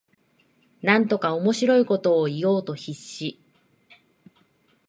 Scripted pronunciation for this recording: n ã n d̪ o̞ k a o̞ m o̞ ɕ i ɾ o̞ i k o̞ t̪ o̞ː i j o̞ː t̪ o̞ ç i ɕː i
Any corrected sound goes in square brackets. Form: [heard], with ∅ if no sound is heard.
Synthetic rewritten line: n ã n [t̪] o̞ k a o̞ m o̞ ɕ i ɾ o̞ i k o̞ t̪ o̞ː i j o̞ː t̪ o̞ ç i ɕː i